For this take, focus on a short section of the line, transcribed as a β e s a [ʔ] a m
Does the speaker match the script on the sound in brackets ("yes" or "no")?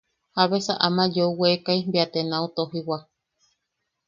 yes